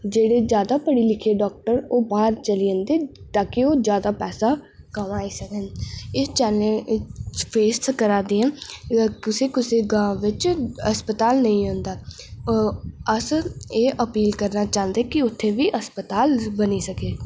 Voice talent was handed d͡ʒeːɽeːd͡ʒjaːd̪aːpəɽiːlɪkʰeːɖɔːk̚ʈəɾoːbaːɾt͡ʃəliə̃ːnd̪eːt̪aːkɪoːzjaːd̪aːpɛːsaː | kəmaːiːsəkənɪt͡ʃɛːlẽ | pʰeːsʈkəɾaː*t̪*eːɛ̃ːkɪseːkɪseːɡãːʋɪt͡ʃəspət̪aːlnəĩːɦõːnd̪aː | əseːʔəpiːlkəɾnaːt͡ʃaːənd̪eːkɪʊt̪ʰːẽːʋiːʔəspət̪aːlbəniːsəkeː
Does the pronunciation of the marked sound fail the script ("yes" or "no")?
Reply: yes